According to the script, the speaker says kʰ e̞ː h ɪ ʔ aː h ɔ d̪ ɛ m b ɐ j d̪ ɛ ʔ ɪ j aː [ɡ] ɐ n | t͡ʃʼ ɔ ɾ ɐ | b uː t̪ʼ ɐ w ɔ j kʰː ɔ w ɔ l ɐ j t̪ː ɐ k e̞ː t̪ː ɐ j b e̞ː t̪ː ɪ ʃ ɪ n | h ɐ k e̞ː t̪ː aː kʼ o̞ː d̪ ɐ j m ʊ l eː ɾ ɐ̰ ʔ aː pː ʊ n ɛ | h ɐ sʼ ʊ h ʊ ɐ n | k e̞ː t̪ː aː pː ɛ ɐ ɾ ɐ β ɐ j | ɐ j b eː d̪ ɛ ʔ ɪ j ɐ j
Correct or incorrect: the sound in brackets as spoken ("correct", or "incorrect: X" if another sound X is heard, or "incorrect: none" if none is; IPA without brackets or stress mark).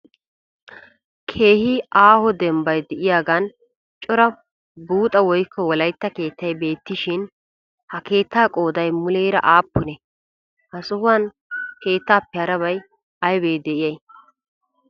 correct